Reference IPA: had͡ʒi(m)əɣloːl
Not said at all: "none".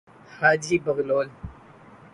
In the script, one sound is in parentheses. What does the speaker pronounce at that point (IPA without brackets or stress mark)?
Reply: b